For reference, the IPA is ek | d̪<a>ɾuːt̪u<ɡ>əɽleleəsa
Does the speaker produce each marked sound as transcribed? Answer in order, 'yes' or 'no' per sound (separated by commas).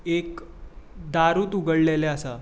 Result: yes, yes